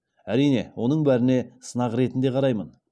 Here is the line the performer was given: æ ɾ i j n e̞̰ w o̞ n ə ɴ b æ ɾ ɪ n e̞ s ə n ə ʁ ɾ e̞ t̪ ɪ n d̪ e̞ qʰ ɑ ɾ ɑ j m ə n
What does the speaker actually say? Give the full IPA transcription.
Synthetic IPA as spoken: æ ɾ i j n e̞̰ w o̞ n ə ɴ b æ ɾ ɪ n e̞ s ə n ɑ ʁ ɾ e̞ t̪ ɪ n d̪ e̞ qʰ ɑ ɾ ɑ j m ə n

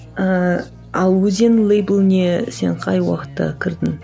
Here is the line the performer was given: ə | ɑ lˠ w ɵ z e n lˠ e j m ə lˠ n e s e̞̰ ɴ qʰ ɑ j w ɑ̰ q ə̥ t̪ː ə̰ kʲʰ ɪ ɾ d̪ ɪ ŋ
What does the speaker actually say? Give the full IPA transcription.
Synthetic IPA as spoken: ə | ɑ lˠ w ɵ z e n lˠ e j b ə lˠ n e s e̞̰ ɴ qʰ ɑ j w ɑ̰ q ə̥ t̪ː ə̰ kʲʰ ɪ ɾ d̪ ɪ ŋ

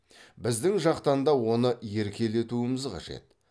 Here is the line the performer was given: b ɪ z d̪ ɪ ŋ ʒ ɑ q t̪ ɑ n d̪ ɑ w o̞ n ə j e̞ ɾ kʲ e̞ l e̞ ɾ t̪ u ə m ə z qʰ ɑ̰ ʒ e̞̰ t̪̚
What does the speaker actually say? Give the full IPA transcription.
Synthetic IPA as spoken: b ɪ z d̪ ɪ ŋ ʒ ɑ q t̪ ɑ n d̪ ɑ w o̞ n ə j e̞ ɾ kʲ e̞ l e̞ t̪ u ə m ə z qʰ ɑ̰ ʒ e̞̰ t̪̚

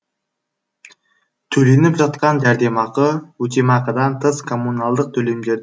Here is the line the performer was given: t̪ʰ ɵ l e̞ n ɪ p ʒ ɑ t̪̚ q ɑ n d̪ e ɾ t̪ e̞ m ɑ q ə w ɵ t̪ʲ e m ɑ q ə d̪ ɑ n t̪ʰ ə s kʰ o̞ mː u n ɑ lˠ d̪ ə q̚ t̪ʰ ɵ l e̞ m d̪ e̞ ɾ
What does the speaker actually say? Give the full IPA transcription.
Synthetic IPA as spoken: t̪ʰ ɵ l e̞ n ɪ p ʒ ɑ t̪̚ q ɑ n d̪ æ ɾ d̪ e̞ m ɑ q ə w ɵ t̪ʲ e m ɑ q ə d̪ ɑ n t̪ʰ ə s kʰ o̞ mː u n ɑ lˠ d̪ ə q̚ t̪ʰ ɵ l e̞ m d̪ e̞ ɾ

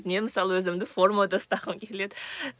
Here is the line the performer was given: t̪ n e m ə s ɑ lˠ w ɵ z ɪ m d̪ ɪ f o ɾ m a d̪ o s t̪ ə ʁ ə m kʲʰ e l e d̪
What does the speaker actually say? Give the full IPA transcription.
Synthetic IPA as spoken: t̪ n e m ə s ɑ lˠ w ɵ z ɪ m d̪ ɪ f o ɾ m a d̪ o s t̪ ɑ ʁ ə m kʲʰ e l e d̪

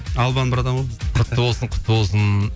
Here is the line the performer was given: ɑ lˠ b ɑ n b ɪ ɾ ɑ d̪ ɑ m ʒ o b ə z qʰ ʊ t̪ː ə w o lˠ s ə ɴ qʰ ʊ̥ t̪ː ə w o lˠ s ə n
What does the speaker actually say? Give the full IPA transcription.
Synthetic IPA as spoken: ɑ lˠ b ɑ n b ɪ ɾ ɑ d̪ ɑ m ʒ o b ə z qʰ ʊ t̪ː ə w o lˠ s ə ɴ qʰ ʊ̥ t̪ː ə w o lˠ s ə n

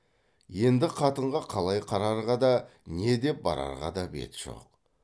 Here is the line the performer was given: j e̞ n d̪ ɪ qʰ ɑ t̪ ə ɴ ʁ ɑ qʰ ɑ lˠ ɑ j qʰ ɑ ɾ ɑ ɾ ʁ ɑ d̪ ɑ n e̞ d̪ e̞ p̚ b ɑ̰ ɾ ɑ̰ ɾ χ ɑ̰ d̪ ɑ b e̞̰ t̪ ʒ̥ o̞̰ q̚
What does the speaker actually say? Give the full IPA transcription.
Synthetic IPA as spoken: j e̞ n d̪ ɪ qʰ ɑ t̪ ə ɴ ʁ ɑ qʰ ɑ lˠ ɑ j qʰ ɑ ɾ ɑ ɾ ʁ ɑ d̪ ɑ n e̞ d̪ e̞ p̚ b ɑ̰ ɾ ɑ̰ ɾ ʁ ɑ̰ d̪ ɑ b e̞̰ t̪ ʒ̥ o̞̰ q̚

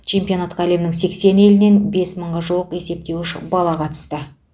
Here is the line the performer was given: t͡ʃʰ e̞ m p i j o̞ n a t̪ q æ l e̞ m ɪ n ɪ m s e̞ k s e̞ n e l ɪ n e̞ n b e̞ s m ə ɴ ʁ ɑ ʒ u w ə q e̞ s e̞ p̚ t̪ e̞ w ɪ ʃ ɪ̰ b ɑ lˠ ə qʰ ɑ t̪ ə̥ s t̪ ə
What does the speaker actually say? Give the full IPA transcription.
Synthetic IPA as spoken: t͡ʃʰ e̞ m p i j o̞ n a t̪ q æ l e̞ m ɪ n ɪ ŋ s e̞ k s e̞ n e l ɪ n e̞ n b e̞ s m ə ɴ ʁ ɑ ʒ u w ə q e̞ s e̞ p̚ t̪ e̞ w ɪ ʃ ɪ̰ b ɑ lˠ ɑ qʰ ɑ t̪ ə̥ s t̪ ə

